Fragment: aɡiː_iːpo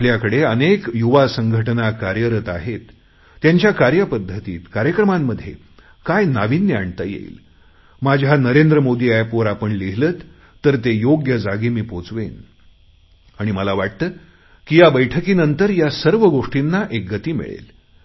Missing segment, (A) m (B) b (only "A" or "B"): A